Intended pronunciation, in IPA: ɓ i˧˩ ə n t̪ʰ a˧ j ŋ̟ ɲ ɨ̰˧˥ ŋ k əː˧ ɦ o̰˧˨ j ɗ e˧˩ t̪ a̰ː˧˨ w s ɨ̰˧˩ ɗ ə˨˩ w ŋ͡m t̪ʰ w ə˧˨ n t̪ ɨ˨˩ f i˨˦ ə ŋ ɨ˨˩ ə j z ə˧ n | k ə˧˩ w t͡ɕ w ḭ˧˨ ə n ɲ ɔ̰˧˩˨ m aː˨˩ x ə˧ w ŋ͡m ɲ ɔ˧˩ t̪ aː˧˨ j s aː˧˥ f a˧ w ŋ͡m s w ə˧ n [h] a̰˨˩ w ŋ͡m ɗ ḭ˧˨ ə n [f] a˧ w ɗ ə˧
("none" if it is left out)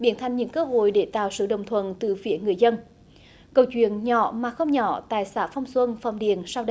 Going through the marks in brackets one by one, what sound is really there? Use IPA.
f, s

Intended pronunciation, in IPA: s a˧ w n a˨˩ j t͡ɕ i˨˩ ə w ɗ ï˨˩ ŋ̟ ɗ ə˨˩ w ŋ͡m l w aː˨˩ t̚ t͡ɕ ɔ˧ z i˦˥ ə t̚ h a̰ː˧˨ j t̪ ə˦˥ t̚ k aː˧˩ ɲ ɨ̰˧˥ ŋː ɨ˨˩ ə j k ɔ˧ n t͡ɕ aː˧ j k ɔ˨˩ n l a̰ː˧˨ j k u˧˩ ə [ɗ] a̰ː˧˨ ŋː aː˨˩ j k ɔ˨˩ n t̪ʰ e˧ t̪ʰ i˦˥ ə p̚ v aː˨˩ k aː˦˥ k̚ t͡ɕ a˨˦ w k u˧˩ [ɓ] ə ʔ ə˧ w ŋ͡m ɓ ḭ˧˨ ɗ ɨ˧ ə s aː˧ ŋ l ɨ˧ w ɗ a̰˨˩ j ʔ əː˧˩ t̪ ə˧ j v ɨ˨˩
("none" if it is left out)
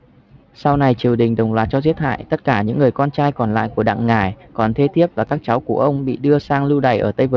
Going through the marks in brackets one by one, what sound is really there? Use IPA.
ɗ, none

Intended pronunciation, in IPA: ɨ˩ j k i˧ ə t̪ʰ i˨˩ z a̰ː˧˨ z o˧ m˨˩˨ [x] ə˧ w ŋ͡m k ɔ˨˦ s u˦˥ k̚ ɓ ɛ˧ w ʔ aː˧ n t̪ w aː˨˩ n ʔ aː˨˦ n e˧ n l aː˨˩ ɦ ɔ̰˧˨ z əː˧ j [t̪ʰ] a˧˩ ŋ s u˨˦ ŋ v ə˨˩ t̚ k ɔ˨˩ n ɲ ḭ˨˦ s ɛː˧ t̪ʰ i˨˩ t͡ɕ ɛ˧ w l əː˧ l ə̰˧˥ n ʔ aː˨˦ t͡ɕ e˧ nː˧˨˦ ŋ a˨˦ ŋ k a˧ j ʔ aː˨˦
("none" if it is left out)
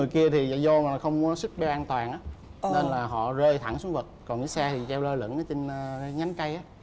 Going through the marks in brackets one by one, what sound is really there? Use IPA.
x, t̪ʰ

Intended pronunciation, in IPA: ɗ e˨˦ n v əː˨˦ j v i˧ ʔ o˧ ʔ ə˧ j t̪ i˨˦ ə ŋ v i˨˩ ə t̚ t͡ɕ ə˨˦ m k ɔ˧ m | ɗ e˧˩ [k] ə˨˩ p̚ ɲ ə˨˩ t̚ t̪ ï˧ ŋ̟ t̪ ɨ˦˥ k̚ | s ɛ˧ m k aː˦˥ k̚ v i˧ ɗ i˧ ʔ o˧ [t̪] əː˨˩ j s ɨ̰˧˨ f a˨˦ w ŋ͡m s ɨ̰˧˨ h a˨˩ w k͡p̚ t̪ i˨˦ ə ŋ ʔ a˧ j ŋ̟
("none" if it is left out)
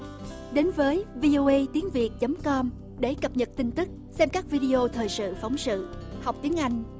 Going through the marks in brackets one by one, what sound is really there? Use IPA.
k, t̪ʰ

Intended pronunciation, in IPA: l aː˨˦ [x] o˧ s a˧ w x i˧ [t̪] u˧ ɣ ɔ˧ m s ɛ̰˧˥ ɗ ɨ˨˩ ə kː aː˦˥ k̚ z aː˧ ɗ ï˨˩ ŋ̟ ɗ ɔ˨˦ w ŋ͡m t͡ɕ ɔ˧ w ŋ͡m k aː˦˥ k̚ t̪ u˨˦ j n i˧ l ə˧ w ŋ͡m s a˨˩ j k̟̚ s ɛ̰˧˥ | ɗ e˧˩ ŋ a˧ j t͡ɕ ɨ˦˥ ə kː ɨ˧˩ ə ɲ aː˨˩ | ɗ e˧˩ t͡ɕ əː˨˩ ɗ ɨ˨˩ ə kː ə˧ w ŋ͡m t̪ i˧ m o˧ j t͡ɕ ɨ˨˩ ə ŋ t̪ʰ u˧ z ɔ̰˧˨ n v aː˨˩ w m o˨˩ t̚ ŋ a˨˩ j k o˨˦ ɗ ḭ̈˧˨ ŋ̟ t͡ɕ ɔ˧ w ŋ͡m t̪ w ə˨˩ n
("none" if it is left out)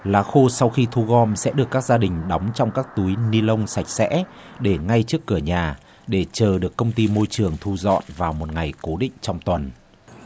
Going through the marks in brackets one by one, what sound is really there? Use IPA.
x, t̪ʰ

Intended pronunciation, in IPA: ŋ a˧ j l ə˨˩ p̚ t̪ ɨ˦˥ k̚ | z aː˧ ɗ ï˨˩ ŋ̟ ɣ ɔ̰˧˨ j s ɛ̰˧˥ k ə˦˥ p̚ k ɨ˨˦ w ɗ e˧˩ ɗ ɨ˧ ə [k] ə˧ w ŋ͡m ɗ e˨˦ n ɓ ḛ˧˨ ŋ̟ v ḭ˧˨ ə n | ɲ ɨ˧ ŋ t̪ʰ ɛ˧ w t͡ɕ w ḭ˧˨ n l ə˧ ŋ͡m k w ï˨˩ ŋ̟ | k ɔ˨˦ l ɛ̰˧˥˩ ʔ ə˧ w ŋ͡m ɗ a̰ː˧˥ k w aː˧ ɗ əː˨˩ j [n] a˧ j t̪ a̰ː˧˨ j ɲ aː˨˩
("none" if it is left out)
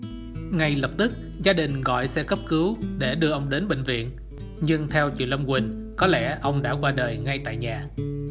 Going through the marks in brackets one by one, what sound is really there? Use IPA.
ʔ, ŋ

